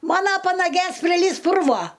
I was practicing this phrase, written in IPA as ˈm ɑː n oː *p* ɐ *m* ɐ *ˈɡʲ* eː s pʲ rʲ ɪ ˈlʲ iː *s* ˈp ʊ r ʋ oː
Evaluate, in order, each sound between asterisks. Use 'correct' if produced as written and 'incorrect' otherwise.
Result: correct, incorrect, correct, correct

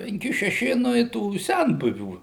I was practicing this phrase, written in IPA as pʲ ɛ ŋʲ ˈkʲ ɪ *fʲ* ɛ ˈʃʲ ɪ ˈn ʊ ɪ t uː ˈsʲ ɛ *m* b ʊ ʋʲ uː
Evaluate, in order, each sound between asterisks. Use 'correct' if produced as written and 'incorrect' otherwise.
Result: incorrect, incorrect

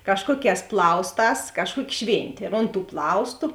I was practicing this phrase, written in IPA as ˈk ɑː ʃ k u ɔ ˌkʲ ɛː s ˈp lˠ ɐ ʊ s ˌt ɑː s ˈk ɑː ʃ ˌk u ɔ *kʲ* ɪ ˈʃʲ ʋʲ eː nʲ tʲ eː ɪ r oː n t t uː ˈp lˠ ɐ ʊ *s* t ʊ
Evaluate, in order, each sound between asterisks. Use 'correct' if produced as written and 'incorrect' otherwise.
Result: correct, correct

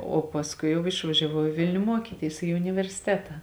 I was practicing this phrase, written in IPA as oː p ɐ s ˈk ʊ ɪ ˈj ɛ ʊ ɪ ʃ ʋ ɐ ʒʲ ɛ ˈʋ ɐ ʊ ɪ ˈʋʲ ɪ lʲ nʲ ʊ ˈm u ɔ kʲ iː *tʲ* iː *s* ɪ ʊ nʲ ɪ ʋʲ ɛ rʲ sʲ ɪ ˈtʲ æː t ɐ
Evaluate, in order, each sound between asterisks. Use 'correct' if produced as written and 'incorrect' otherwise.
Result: correct, correct

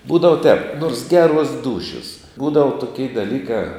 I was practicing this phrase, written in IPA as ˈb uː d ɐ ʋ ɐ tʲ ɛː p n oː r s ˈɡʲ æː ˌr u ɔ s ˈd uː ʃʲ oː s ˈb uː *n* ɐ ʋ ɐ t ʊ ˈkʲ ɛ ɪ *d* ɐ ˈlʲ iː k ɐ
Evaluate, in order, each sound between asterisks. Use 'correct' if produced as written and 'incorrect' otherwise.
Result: incorrect, correct

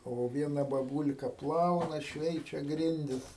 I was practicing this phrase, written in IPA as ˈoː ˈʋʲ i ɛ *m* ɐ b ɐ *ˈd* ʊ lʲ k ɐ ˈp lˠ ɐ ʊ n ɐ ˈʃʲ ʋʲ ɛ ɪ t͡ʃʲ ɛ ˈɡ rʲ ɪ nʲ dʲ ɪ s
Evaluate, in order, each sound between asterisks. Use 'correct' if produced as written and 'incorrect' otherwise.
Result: incorrect, incorrect

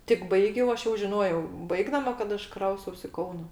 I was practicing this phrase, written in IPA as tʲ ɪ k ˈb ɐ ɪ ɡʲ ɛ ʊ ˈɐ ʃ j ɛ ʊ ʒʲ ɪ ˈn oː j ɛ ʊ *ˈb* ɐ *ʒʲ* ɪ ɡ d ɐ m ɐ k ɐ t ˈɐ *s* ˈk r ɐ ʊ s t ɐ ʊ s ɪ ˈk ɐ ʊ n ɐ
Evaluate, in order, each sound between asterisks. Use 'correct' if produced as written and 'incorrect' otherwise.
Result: correct, incorrect, incorrect

